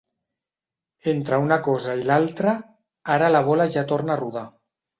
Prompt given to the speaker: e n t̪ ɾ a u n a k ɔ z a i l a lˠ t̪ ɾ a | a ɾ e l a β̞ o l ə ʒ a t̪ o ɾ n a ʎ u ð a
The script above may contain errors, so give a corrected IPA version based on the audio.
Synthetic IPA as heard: e n t̪ ɾ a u n a k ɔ z a i l a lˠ t̪ ɾ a | a ɾ a l a β̞ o l a ʒ a t̪ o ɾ n a r u ð a